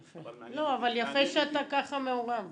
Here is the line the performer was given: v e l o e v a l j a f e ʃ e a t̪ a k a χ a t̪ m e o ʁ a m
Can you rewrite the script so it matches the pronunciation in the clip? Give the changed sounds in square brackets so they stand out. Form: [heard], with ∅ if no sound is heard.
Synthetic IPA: [f] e l o [a] v a l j a f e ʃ e a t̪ a k a χ a [∅] m e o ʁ a m